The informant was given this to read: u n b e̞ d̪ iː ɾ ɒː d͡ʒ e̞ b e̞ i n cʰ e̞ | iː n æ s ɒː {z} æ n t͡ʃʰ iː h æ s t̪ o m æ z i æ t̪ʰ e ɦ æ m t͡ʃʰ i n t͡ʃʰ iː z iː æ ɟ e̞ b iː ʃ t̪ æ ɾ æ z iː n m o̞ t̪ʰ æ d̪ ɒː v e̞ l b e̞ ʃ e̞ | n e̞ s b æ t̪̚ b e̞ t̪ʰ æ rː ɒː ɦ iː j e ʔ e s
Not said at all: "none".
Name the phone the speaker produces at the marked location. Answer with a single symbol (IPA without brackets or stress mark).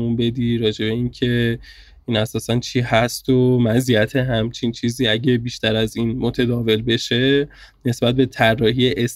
s